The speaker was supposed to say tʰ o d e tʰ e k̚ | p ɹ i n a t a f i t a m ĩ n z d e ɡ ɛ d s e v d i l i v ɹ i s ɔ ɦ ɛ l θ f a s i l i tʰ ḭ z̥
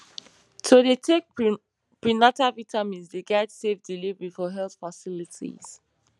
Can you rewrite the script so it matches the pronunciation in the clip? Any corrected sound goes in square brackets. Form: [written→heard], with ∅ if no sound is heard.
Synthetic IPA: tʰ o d e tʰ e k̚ | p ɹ i n a t a [f→v] i t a m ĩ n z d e ɡ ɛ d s e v d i l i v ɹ i [s→f] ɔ ɦ ɛ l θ f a s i l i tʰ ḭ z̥